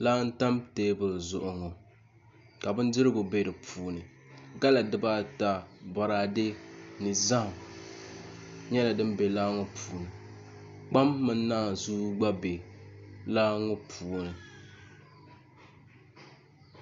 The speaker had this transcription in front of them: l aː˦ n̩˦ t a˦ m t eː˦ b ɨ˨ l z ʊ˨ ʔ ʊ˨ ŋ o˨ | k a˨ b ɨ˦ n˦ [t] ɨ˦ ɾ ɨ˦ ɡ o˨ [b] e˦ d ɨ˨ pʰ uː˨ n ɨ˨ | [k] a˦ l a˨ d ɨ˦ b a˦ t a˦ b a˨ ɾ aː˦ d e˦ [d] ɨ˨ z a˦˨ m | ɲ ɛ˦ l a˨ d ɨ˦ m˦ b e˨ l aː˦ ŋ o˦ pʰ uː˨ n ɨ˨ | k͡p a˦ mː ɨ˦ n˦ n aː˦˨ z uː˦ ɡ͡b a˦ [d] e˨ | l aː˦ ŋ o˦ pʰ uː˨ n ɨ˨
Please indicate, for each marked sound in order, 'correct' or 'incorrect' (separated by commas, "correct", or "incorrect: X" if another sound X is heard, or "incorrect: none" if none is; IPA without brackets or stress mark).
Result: incorrect: d, correct, incorrect: ɡ, incorrect: n, incorrect: b